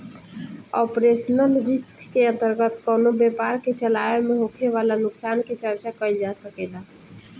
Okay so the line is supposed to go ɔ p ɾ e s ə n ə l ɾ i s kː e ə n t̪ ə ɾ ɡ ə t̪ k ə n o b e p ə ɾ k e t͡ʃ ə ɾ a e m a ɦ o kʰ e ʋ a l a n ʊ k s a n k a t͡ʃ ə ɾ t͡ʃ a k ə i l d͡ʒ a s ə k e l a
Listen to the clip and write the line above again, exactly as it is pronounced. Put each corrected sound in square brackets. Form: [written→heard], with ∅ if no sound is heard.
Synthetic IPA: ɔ p ɾ e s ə n ə l ɾ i s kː e ə n t̪ ə ɾ ɡ ə t̪ k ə n o b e p [ə→a] ɾ k e t͡ʃ ə [ɾ→l] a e m [a→e] ɦ o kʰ e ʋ a l a n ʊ k s a n k [a→e] t͡ʃ ə ɾ t͡ʃ a k ə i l d͡ʒ a s ə k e l a